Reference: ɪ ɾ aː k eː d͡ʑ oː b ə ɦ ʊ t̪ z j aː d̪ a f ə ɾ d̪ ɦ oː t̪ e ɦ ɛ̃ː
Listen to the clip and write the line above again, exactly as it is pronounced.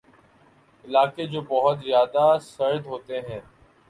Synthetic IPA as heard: ɪ l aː k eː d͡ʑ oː b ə ɦ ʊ t̪ z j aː d̪ a s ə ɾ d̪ ɦ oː t̪ e ɦ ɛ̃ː